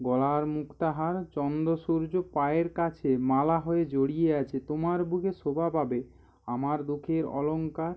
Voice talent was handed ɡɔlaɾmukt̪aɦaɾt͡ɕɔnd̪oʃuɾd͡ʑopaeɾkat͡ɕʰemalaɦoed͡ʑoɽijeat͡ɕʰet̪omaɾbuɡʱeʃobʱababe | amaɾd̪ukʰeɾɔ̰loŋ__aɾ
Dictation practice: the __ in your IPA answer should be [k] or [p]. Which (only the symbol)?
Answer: k